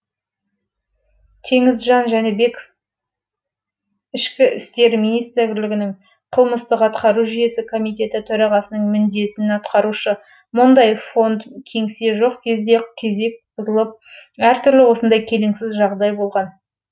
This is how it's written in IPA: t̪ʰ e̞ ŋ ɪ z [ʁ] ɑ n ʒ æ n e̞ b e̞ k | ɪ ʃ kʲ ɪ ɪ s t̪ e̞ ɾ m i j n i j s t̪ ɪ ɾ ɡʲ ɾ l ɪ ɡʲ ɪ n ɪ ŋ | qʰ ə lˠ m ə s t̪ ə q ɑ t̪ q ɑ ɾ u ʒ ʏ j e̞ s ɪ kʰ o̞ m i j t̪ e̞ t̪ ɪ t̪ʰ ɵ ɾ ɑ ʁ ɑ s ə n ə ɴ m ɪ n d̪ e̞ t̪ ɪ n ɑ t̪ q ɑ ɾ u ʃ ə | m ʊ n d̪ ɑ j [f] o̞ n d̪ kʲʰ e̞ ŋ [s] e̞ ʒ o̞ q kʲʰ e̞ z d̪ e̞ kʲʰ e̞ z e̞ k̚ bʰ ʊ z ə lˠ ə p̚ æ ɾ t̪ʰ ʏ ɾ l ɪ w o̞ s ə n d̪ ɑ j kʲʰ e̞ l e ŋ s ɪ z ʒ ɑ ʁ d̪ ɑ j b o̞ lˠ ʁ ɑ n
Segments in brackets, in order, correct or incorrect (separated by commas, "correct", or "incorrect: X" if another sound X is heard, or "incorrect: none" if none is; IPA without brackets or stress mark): incorrect: ʒ, correct, correct